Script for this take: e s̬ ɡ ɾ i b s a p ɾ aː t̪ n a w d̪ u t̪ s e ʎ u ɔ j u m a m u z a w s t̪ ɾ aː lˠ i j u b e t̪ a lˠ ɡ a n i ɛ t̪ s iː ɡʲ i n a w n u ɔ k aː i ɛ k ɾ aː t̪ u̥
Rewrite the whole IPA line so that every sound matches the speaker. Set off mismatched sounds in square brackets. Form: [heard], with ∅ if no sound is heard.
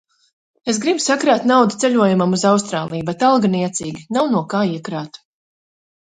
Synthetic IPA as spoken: e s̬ ɡ ɾ i b s a [k] ɾ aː t̪ n a w d̪ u t̪ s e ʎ u ɔ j u m a m u z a w s t̪ ɾ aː lˠ i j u b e t̪ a lˠ ɡ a n i ɛ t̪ s iː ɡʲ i n a w n u ɔ k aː i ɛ k ɾ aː t̪ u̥